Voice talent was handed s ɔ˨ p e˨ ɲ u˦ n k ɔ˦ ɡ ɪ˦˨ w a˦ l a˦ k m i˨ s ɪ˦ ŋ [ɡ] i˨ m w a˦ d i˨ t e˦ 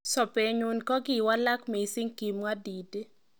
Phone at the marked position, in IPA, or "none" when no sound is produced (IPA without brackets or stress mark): k